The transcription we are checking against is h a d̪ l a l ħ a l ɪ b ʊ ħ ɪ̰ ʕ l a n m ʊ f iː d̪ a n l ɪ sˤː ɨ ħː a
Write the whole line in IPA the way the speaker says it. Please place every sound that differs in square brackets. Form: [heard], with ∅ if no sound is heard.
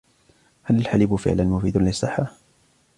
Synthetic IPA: h a [∅] l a l ħ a l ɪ b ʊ [f] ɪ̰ ʕ l a n m ʊ f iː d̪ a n l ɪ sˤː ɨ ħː a